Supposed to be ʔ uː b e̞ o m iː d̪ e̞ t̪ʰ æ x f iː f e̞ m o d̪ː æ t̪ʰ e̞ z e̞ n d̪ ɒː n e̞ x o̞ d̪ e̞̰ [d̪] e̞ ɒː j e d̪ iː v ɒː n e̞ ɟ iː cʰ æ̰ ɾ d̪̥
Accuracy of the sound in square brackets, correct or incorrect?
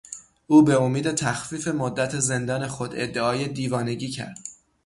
incorrect